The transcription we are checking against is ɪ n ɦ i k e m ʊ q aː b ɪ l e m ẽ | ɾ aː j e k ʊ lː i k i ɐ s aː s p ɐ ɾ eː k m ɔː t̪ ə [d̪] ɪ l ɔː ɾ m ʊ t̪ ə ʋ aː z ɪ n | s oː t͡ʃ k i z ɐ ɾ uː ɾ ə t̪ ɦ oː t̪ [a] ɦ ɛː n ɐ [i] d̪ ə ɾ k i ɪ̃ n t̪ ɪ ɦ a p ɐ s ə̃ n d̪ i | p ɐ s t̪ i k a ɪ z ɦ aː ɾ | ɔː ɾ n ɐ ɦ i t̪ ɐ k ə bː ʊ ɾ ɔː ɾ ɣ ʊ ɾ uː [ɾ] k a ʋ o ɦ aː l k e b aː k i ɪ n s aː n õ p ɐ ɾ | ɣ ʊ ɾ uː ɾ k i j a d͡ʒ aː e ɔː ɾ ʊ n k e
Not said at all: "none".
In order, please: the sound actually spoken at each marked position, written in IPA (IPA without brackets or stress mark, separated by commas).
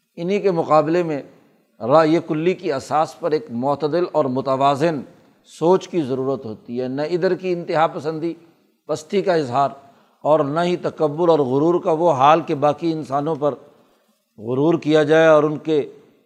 d̪, i, ɪ, ɾ